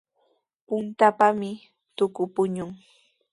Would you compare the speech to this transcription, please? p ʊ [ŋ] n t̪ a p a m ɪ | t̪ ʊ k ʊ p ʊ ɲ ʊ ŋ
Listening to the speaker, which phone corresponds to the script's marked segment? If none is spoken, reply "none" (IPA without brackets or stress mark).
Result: none